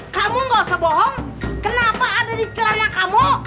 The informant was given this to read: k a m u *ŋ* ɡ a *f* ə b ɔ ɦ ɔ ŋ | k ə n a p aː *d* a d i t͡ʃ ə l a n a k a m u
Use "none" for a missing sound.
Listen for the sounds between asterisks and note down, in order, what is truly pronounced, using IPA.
ŋ, s, d

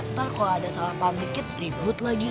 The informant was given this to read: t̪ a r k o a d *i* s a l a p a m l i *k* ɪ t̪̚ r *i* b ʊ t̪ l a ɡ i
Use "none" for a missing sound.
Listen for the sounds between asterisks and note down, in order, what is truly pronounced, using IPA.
a, k, i

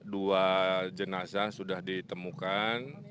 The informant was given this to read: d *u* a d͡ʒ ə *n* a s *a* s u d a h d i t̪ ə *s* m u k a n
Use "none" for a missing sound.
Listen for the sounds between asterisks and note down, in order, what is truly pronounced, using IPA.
u, n, a, none

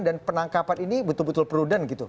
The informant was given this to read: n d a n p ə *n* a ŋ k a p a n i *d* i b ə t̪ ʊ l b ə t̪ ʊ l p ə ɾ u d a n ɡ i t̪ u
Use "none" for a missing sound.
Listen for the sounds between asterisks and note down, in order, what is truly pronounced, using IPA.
n, n

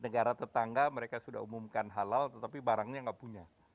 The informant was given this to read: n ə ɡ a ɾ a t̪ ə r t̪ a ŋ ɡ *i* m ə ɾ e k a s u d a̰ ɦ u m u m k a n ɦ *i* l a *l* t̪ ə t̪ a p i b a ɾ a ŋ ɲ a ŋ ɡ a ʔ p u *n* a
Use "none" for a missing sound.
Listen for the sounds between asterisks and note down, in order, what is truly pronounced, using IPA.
a, a, l, ɲ

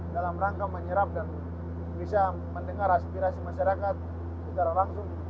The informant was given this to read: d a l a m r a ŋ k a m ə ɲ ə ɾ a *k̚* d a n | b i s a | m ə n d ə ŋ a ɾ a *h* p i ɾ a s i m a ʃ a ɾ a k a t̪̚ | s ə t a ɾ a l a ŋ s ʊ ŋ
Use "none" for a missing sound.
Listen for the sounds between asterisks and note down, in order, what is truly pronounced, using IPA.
p̚, s

